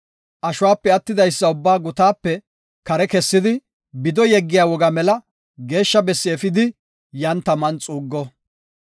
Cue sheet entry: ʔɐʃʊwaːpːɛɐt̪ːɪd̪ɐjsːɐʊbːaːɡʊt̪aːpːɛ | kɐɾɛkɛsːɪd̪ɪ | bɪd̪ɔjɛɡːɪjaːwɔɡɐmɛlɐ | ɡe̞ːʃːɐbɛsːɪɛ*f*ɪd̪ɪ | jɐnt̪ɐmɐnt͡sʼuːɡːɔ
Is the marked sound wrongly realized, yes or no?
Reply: no